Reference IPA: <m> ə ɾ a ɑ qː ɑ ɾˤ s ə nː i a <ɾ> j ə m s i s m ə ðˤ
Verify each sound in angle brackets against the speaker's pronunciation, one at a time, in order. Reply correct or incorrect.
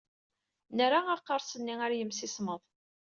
incorrect: n, correct

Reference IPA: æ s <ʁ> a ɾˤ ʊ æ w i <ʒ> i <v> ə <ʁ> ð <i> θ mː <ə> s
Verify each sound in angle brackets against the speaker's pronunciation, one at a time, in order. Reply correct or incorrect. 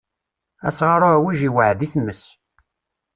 correct, correct, incorrect: w, incorrect: ʕ, correct, correct

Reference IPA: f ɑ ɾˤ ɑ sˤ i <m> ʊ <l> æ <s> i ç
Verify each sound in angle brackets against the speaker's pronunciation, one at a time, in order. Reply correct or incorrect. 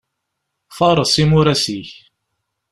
correct, incorrect: ɾ, correct

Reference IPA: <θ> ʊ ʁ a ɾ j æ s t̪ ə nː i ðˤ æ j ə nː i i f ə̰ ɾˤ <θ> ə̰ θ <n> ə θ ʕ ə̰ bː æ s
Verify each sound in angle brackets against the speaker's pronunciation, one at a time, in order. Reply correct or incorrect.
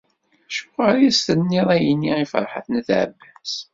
incorrect: ʃ, incorrect: ħ, correct

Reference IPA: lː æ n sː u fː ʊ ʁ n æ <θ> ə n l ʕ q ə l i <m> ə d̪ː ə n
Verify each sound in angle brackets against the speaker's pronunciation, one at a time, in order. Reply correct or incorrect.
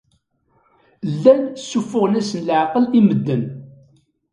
incorrect: s, correct

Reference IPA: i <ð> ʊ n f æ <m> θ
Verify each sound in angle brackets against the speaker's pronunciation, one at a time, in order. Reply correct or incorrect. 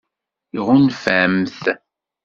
incorrect: ʁ, correct

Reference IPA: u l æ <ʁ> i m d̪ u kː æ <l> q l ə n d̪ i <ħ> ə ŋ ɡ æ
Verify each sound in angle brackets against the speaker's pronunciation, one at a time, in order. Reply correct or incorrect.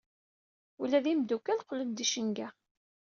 incorrect: ð, correct, incorrect: ʃ

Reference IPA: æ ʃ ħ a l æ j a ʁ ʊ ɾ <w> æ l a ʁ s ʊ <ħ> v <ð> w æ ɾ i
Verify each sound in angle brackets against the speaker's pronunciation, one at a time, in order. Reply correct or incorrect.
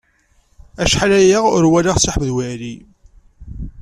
correct, correct, correct

